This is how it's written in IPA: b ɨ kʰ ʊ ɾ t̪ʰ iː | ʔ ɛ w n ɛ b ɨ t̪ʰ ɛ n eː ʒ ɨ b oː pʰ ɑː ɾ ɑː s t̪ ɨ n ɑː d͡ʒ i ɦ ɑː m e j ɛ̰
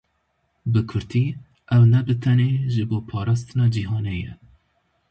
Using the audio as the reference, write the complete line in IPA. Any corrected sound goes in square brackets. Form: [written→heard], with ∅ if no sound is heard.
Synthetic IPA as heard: b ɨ kʰ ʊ ɾ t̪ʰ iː | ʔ ɛ w n ɛ b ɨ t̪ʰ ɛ n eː ʒ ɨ b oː pʰ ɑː ɾ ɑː s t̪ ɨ n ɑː d͡ʒ i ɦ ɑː [m→n] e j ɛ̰